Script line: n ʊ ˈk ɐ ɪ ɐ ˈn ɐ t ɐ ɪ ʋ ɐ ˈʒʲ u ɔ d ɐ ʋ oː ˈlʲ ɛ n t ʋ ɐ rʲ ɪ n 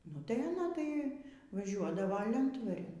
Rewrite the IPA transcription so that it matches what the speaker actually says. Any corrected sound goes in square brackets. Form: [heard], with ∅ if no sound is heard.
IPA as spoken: n ʊ [ˈt] ɐ ɪ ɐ ˈn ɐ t ɐ ɪ ʋ ɐ ˈʒʲ u ɔ d ɐ ʋ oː ˈlʲ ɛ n t ʋ ɐ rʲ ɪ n

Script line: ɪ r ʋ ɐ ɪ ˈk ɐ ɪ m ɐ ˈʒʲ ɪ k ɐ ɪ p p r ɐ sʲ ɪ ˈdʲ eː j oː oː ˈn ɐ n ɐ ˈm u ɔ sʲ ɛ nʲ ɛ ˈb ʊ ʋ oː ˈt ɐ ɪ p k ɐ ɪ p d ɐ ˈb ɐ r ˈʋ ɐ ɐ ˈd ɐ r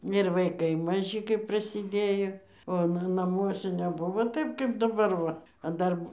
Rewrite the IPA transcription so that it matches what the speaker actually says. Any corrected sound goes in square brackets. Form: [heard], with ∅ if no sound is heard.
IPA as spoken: ɪ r ʋ ɐ ɪ ˈk ɐ ɪ m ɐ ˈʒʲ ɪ k ɐ ɪ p p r ɐ sʲ ɪ ˈdʲ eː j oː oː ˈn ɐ n ɐ ˈm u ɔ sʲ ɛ nʲ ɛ ˈb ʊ ʋ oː ˈt ɐ ɪ p k ɐ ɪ p d ɐ ˈb ɐ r ˈʋ ɐ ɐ ˈd ɐ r

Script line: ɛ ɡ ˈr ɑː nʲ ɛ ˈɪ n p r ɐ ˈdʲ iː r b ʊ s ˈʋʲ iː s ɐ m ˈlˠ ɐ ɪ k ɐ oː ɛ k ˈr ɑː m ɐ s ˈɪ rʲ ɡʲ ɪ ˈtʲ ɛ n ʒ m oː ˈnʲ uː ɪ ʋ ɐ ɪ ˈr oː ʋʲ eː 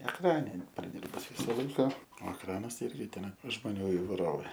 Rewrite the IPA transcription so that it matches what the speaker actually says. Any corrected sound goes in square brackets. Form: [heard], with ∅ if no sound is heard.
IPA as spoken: ɛ [k] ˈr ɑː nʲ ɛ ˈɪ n p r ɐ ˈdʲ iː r b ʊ s ˈʋʲ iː s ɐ [∅] ˈlˠ ɐ ɪ k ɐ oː ɛ k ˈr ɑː [n] ɐ s ˈɪ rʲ ɡʲ ɪ ˈtʲ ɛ n ʒ m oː ˈnʲ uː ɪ ʋ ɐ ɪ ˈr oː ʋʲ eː

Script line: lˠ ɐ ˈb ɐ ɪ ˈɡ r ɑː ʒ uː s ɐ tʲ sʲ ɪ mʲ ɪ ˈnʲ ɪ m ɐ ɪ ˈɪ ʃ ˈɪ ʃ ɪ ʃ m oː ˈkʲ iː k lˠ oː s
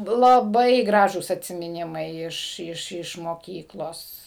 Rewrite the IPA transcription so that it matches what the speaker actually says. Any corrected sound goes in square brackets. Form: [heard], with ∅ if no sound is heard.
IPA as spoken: lˠ ɐ ˈb ɐ ɪ ˈɡ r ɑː ʒ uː s ɐ tʲ sʲ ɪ mʲ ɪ ˈnʲ ɪ m ɐ ɪ ˈɪ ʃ ˈɪ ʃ ɪ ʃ m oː ˈkʲ iː k lˠ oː s

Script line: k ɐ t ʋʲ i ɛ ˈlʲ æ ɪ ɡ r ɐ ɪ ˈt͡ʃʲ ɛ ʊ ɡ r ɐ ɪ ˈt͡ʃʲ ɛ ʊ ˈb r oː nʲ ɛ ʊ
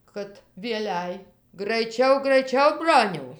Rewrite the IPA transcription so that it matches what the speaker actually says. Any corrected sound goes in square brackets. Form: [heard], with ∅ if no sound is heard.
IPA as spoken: k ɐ t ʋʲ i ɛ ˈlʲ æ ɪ ɡ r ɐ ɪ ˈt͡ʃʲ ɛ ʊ ɡ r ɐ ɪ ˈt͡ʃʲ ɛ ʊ ˈb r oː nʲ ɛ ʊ

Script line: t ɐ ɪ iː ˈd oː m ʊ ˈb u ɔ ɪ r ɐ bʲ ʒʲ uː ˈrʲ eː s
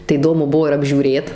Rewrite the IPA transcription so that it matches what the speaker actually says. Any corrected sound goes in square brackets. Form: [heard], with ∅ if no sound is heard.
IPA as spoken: t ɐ ɪ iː ˈd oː m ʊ ˈb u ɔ ɪ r ɐ bʲ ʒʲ uː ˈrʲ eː [t]

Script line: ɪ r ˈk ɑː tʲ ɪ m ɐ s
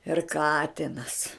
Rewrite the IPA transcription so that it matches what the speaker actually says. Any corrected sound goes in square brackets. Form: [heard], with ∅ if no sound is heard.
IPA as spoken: ɪ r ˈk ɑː tʲ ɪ [n] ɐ s

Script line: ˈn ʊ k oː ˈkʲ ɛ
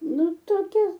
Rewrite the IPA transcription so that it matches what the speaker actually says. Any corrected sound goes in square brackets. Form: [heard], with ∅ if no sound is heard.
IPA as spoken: ˈn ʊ [t] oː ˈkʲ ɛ

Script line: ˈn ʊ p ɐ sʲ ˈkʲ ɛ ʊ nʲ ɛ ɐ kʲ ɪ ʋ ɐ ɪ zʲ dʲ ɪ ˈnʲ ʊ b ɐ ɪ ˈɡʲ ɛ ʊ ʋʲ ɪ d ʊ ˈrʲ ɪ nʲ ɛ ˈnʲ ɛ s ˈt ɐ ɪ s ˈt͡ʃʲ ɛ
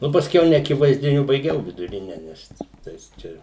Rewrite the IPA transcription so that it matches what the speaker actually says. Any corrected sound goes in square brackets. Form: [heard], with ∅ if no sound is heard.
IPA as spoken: ˈn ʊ p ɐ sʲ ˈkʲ ɛ ʊ nʲ ɛ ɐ kʲ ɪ ʋ ɐ ɪ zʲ dʲ ɪ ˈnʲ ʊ b ɐ ɪ ˈɡʲ ɛ ʊ ʋʲ ɪ d ʊ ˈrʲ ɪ nʲ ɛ ˈnʲ ɛ s ˈt ɐ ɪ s ˈt͡ʃʲ ɛ

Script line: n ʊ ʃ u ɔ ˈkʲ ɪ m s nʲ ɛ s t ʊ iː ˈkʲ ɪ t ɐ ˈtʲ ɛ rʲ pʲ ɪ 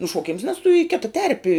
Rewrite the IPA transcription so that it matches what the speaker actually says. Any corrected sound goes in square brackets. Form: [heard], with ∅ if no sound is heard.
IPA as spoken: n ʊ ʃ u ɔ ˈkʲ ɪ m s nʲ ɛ s t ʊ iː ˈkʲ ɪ t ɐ ˈtʲ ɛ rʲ pʲ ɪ

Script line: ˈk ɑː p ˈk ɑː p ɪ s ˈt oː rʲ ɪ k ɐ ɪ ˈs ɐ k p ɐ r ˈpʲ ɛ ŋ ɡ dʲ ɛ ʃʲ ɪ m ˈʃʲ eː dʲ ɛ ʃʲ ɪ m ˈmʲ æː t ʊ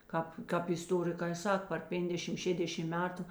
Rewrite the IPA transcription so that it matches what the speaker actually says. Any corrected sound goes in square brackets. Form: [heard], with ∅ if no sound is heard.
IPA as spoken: ˈk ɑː p ˈk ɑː p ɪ s ˈt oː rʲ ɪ k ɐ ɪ ˈs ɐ k p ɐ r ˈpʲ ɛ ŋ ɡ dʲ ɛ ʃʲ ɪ m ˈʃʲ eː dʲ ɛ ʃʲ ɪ m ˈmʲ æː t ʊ

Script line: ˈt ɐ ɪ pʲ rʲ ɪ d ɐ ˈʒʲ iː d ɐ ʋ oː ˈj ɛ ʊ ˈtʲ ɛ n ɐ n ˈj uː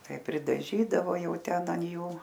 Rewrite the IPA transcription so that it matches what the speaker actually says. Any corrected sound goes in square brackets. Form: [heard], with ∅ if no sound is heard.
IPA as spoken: ˈt ɐ ɪ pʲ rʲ ɪ d ɐ ˈʒʲ iː d ɐ ʋ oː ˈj ɛ ʊ ˈtʲ ɛ n ɐ n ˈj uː

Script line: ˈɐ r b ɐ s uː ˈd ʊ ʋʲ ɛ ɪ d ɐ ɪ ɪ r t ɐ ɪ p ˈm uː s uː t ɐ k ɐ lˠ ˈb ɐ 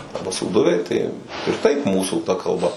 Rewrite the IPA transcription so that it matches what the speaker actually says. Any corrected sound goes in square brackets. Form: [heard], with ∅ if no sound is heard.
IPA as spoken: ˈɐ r b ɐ s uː ˈd ʊ ʋʲ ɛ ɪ [t] ɐ ɪ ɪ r t ɐ ɪ p ˈm uː s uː t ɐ k ɐ lˠ ˈb ɐ

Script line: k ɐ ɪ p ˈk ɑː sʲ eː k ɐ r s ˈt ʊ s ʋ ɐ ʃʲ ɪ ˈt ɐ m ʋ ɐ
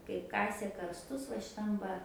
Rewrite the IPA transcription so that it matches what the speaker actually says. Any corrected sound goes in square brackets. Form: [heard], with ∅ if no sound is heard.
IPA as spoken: k ɐ ɪ p ˈk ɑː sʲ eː k ɐ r s ˈt ʊ s ʋ ɐ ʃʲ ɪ ˈt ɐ m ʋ ɐ

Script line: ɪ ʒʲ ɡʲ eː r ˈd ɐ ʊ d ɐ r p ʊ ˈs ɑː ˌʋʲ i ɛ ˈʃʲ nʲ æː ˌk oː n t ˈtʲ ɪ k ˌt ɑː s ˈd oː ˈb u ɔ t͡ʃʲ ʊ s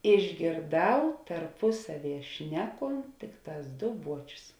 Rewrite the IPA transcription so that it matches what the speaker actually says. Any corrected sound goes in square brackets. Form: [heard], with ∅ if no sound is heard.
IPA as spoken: ɪ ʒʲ ɡʲ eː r ˈd ɐ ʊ [t] ɐ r p ʊ ˈs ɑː ˌʋʲ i ɛ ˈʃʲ nʲ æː ˌk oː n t ˈtʲ ɪ k ˌt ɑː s ˈd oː ˈb u ɔ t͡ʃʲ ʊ s

